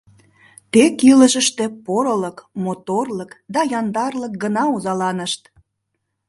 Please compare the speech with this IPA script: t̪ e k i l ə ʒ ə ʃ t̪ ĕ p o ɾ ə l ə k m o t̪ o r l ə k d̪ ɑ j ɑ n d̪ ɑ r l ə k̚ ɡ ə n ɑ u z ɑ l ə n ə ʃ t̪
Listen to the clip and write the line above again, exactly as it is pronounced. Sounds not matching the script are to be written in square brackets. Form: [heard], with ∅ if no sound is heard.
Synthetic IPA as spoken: t̪ e k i l ə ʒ ə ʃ t̪ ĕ p o ɾ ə l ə k m o t̪ o r l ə k d̪ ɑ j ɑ n d̪ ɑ r l ə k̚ ɡ ə n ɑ u z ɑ l [ɑ] n ə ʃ t̪